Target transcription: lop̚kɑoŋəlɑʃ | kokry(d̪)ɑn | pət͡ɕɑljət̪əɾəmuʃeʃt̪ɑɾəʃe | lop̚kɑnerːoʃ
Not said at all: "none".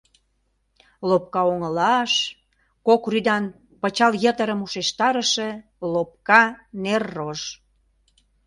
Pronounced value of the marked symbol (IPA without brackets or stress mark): d̪